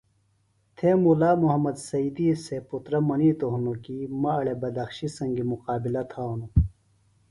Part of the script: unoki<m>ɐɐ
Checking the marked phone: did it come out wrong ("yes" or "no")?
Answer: no